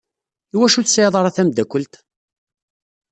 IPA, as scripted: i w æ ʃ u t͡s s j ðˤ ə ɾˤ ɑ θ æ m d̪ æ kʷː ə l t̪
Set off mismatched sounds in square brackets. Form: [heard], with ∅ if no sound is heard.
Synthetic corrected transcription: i w æ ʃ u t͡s s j ðˤ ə ɾˤ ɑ θ æ m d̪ æ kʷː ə l t̪